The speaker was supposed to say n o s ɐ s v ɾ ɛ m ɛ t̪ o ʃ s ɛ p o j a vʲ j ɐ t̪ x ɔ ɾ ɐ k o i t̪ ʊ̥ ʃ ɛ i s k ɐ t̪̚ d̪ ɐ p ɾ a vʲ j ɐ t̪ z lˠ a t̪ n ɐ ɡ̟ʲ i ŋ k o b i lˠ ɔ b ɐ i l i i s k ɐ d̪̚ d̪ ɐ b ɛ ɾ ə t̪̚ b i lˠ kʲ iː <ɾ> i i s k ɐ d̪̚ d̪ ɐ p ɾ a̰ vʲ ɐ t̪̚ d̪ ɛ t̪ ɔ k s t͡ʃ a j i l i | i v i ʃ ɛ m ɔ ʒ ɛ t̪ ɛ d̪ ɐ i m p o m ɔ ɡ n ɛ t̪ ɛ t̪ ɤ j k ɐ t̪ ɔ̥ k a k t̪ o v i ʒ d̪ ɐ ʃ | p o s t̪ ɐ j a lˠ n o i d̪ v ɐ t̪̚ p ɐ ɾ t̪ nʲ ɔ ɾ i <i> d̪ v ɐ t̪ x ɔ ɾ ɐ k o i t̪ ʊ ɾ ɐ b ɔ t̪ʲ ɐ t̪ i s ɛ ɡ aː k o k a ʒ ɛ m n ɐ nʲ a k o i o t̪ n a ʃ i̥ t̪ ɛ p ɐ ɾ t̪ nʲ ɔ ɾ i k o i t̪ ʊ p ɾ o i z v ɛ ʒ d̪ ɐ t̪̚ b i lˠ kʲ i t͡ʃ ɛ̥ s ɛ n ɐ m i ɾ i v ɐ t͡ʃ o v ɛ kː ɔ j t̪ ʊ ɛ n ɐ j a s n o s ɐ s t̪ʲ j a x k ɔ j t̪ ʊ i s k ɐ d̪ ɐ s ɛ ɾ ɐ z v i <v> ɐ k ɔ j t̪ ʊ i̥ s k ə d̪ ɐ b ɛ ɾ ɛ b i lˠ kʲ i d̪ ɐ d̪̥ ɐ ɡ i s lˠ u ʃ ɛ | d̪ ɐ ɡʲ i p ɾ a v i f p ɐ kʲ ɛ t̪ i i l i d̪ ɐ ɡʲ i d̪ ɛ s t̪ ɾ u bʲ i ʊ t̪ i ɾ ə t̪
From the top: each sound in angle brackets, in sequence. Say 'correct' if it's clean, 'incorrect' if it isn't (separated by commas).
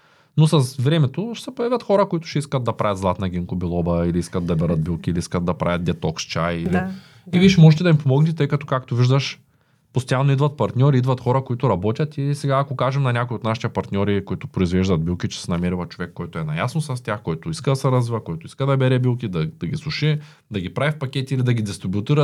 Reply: incorrect, correct, correct